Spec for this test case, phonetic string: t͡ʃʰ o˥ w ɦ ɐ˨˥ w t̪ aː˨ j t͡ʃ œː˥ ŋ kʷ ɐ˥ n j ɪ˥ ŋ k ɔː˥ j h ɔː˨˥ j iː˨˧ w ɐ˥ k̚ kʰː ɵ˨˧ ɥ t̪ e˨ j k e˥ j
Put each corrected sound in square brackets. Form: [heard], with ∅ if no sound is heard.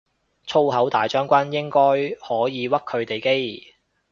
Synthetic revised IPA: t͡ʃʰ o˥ w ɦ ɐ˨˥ w t̪ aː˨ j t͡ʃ œː˥ ŋ kʷ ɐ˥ n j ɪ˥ ŋ k ɔː˥ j h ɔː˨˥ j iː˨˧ w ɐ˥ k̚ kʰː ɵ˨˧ ɥ t̪ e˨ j k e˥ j